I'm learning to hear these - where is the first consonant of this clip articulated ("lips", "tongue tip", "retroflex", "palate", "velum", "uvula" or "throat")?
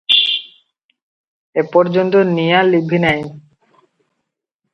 lips